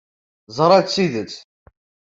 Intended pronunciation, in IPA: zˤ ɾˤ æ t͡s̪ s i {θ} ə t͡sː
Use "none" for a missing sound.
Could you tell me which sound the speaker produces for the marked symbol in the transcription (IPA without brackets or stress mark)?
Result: ð